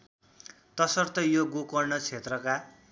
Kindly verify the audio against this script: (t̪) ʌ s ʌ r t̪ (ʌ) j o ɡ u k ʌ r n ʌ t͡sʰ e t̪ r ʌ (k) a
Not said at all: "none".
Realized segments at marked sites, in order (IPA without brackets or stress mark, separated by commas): t̪, ʌ, k